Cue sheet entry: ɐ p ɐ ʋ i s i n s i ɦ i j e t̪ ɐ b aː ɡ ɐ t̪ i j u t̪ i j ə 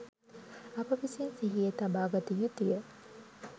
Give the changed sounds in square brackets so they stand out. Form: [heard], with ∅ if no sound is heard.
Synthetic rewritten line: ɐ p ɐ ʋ i s i n s i ɦ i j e t̪ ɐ b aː ɡ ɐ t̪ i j u t̪ i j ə